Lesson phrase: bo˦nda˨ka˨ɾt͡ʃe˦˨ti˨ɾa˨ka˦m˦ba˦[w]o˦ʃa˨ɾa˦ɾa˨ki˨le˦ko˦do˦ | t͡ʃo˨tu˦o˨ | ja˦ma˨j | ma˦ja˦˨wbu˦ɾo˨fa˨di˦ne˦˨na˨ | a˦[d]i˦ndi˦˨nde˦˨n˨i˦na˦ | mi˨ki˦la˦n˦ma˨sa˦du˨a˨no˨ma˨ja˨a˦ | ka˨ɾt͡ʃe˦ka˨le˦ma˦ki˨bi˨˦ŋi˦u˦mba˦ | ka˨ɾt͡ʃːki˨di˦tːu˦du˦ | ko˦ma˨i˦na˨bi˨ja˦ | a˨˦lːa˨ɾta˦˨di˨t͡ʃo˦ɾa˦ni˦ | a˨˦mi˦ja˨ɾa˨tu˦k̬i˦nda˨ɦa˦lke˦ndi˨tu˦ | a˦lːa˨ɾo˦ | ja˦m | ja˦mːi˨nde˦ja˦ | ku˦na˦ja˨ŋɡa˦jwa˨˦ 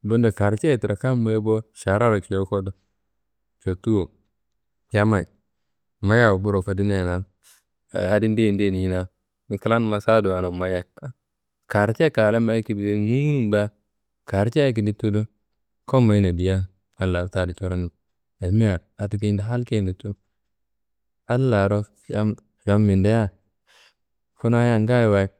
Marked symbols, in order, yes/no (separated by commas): no, yes